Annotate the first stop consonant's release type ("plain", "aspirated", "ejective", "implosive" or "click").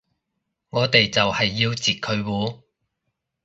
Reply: plain